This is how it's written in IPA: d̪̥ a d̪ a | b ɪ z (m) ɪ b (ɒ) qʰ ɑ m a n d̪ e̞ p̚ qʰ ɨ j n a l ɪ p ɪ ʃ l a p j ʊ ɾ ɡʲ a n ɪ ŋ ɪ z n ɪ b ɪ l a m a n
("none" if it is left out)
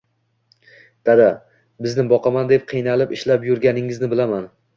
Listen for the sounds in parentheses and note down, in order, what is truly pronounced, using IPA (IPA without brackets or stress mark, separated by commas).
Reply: n, ɒ